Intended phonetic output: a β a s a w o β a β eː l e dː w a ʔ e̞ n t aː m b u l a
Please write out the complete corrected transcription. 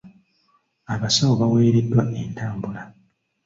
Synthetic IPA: a β a s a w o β a w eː ɾ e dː w a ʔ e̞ n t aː m b u l a